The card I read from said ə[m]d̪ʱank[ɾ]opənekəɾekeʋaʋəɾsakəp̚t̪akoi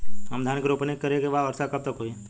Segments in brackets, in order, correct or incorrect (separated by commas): correct, correct